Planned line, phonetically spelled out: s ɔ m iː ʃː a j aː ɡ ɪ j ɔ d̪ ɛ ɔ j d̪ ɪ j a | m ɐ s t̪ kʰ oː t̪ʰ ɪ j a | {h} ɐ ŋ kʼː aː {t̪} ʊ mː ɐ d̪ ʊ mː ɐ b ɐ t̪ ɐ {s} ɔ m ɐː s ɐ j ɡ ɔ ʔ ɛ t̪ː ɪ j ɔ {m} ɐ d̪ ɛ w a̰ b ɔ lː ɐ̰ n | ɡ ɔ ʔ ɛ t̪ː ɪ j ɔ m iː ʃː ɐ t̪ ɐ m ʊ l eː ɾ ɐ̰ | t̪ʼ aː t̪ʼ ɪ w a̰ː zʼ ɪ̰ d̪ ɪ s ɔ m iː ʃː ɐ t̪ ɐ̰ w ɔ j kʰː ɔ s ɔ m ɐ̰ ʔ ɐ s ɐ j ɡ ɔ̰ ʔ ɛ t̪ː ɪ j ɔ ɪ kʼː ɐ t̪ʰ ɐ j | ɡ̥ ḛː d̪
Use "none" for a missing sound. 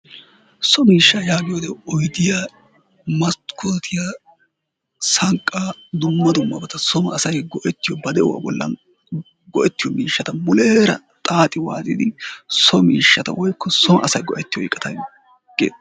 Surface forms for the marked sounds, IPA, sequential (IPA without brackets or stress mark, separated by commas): s, d̪, s, b